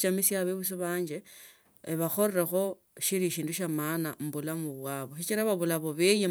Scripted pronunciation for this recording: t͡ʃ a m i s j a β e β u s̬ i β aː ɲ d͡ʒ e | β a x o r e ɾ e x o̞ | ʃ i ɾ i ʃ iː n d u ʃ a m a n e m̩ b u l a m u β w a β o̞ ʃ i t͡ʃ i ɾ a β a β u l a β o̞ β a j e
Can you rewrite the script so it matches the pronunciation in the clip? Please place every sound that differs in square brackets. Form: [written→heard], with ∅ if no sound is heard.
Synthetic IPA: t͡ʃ a m i s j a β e β u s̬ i β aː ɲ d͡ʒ e | β a x o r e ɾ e x o̞ | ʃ i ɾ i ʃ iː n d u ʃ a m a n [e→a] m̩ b u l a m u β w a β o̞ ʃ i t͡ʃ i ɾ a β a β u l a β o̞ β [a→e] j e